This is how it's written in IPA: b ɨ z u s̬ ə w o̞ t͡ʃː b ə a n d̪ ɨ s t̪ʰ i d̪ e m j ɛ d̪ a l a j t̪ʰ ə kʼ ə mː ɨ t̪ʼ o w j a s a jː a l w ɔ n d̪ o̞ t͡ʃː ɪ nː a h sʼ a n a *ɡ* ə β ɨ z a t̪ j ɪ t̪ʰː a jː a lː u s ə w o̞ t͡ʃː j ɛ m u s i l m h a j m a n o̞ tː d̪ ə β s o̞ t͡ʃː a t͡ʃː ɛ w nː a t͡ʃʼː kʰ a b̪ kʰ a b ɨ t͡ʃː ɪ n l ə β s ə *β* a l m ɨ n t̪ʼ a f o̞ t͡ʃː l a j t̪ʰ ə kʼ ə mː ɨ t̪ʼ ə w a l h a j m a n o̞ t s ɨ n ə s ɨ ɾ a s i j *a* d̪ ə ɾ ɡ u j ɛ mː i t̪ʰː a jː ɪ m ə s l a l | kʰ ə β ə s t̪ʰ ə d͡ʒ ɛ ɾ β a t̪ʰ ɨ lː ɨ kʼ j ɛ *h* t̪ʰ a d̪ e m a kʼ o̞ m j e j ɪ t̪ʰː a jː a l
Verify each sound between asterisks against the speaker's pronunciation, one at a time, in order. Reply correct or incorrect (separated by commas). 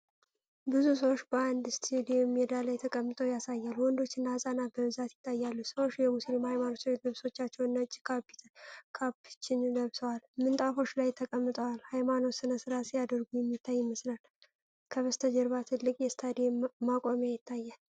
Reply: incorrect, incorrect, correct, incorrect